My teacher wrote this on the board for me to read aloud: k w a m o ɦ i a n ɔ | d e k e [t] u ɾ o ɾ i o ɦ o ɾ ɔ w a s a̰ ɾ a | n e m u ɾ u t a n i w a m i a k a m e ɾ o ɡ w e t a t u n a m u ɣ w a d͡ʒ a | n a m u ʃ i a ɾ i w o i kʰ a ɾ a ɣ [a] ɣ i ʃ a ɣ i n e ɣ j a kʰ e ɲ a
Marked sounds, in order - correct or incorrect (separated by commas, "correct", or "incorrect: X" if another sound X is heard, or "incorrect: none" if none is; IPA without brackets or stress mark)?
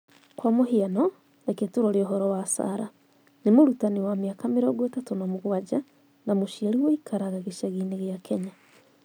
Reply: correct, correct